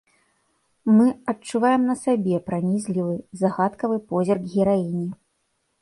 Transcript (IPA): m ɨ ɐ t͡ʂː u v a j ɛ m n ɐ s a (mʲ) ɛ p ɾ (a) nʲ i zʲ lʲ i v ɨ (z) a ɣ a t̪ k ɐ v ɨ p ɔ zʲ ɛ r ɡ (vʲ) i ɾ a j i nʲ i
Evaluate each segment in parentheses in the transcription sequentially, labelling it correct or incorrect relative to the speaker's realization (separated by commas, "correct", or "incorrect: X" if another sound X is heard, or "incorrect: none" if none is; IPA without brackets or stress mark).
incorrect: bʲ, correct, correct, incorrect: ɣʲ